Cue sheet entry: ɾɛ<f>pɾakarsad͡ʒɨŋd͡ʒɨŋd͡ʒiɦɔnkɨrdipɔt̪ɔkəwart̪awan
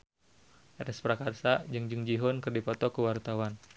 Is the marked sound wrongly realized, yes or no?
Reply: yes